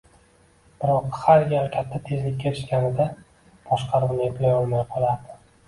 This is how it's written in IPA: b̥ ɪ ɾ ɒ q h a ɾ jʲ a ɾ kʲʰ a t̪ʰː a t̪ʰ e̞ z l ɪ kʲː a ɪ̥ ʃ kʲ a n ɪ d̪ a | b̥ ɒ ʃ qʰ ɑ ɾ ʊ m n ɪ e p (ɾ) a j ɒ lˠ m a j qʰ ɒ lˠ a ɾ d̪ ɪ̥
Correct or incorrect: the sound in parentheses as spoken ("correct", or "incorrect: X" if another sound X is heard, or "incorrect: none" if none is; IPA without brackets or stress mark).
incorrect: l